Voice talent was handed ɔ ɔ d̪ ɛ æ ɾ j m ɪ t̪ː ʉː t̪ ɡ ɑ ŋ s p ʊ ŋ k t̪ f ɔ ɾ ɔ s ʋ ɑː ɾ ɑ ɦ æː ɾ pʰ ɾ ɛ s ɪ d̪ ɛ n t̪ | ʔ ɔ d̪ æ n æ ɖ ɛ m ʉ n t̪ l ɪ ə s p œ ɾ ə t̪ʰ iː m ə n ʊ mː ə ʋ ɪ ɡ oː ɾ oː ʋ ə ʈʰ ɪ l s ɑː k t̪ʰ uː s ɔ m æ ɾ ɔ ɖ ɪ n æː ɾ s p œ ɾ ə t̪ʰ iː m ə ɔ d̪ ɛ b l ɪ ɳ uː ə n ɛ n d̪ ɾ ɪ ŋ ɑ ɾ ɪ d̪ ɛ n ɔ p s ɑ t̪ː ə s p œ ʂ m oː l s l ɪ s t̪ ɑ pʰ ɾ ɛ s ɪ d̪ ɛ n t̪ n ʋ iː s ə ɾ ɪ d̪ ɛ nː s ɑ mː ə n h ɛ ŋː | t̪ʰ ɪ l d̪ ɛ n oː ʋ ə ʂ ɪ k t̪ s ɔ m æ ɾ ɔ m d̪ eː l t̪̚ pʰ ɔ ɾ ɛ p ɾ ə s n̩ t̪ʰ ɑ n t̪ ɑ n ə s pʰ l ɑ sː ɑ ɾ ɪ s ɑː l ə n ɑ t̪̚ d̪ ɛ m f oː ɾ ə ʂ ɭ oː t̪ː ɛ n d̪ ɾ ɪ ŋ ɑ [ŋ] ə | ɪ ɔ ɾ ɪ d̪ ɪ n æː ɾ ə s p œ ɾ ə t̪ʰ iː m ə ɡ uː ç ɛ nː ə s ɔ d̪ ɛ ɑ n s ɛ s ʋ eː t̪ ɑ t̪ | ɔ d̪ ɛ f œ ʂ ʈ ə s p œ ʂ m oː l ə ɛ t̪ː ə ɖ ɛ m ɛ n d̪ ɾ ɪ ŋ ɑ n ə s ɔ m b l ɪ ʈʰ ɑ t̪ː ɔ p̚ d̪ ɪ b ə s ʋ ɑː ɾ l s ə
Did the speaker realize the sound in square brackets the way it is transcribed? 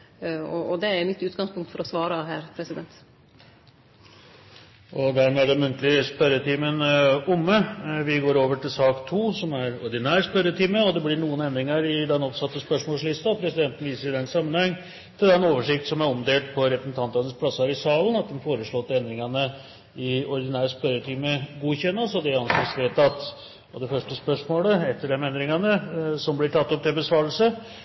no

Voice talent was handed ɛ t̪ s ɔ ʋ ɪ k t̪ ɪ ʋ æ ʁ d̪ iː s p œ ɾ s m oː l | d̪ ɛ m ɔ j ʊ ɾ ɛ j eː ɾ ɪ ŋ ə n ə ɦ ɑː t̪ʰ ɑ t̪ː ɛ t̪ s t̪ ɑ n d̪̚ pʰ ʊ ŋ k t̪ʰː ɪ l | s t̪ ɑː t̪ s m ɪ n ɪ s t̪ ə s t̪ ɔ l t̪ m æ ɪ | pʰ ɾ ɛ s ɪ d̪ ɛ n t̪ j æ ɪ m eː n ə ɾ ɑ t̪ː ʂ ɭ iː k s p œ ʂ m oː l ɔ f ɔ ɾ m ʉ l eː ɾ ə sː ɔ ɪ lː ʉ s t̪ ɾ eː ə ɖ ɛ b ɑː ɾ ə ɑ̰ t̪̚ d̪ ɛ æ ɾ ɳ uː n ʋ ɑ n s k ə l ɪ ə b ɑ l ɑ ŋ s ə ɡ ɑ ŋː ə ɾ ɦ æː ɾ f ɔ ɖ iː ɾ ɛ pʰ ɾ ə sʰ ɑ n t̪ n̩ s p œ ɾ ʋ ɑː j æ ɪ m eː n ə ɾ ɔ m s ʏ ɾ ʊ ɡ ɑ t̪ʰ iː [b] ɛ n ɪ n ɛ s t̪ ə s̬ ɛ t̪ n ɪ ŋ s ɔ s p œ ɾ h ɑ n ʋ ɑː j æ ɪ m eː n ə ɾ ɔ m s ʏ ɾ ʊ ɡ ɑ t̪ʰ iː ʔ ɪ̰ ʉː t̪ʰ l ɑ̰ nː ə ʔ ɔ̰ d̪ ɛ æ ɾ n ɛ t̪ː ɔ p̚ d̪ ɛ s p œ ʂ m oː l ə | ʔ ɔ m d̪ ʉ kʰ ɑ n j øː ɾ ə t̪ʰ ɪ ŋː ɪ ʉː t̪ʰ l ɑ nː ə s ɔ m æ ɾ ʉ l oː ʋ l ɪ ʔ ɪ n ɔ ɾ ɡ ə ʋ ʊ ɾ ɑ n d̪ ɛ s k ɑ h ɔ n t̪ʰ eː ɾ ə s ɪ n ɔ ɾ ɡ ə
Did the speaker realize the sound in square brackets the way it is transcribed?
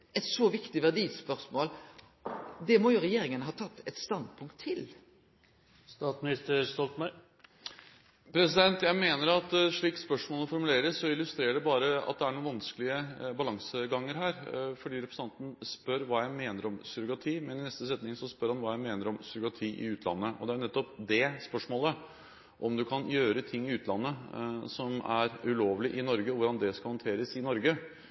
no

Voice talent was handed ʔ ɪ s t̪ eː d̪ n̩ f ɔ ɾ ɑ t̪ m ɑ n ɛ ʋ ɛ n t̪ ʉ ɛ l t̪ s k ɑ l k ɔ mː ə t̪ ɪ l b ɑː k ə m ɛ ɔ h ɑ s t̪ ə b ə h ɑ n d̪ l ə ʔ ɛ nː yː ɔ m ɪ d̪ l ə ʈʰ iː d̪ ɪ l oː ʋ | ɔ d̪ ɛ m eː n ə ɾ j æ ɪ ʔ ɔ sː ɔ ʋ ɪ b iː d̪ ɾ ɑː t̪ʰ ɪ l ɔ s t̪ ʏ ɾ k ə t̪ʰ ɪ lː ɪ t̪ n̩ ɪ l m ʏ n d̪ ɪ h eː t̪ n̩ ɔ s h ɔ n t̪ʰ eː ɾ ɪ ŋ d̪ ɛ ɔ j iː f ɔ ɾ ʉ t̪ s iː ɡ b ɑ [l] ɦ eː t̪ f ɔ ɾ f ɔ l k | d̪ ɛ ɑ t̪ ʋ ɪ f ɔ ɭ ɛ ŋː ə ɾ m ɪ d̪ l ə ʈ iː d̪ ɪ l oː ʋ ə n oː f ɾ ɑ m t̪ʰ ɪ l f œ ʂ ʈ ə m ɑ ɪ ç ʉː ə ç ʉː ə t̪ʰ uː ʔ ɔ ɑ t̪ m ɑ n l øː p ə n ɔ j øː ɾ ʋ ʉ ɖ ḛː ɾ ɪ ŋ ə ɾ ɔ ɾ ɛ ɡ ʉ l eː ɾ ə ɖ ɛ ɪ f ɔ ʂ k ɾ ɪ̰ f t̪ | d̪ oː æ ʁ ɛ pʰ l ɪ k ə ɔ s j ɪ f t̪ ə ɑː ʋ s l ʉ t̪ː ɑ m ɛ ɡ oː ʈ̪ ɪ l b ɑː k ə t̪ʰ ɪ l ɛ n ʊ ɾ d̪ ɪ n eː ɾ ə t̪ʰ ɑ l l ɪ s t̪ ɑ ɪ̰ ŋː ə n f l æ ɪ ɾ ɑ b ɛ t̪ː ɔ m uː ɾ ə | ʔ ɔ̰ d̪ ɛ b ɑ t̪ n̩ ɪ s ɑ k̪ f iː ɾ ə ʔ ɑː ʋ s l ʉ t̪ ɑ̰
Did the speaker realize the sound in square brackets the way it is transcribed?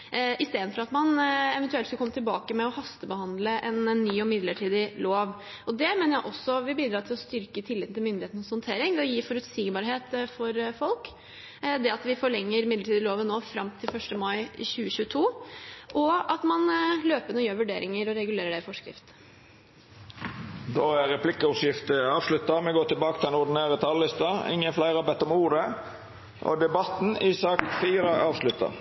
no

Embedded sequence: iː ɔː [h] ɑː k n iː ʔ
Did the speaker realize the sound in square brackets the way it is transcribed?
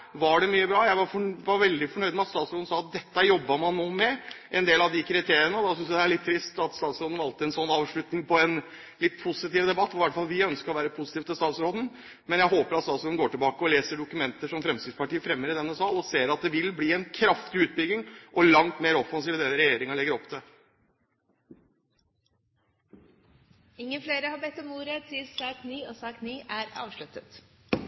no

